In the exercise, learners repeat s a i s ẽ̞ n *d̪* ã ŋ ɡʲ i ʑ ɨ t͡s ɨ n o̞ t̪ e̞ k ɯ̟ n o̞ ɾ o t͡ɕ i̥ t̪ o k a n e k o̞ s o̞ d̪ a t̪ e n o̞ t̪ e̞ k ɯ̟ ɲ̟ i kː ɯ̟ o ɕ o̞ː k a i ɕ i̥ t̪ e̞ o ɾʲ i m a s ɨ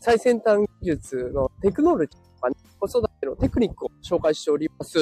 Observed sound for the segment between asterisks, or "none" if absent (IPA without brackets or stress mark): t̪